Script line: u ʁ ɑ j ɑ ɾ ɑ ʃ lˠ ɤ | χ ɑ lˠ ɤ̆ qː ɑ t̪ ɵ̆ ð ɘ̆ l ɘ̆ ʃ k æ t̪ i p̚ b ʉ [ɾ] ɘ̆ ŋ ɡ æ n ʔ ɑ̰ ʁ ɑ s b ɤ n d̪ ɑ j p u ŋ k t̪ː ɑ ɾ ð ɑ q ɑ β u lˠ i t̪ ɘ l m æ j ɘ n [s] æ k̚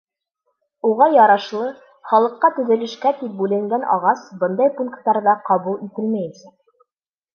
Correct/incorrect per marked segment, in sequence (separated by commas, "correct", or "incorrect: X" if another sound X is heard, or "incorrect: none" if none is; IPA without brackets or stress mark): incorrect: l, correct